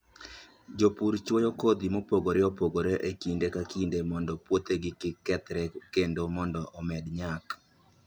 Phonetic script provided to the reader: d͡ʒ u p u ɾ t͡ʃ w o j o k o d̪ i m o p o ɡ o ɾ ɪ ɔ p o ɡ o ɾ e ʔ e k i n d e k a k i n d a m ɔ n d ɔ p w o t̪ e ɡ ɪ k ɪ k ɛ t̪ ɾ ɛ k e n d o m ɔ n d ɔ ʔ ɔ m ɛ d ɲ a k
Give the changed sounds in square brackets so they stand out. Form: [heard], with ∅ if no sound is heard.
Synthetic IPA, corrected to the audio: d͡ʒ [o] p u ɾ t͡ʃ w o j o k o d̪ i m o p o ɡ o ɾ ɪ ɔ p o ɡ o ɾ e ʔ e k i n d e k a k i n d [e] m ɔ n d ɔ p w o t̪ e ɡ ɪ k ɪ k ɛ t̪ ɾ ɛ k e n d o m ɔ n d ɔ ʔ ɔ m ɛ d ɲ a k